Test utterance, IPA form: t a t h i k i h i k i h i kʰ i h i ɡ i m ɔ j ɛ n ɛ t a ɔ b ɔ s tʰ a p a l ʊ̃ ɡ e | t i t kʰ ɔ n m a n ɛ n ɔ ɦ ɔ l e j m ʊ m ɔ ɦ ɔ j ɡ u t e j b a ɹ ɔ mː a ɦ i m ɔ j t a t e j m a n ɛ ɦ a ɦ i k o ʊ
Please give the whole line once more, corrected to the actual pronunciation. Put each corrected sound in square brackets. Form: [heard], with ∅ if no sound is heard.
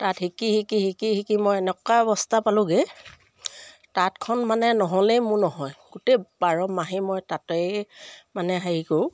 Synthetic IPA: t a t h i k i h i k i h i [k] i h i [k] i m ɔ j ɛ n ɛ [k] a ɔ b ɔ s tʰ a p a l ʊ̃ ɡ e | t [a] t kʰ ɔ n m a n ɛ n ɔ ɦ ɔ l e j m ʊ [n] ɔ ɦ ɔ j ɡ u t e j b a ɹ ɔ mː a ɦ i m ɔ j t a t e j m a n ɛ ɦ a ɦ i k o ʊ